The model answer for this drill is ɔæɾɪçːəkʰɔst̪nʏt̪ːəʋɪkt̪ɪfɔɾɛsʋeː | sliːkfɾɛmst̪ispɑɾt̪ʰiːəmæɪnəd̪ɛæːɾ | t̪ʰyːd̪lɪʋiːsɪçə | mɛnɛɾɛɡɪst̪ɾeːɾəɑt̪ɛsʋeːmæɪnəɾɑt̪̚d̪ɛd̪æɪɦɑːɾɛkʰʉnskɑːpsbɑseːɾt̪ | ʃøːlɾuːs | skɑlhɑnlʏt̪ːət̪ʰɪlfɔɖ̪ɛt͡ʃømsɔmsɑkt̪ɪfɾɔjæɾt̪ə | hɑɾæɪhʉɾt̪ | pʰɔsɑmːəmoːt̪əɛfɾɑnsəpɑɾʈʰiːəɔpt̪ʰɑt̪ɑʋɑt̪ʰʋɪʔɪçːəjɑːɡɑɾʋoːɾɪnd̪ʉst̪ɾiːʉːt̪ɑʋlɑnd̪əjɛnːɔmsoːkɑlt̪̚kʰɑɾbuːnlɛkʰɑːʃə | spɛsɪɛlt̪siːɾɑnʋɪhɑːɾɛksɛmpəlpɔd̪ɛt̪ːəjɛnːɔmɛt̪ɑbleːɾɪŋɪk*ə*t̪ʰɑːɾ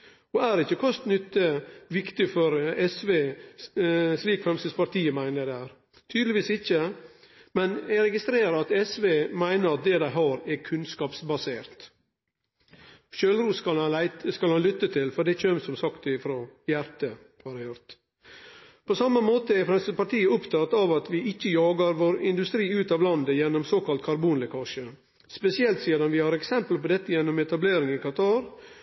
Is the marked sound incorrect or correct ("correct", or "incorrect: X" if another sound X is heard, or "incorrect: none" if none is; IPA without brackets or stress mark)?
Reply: incorrect: ɑ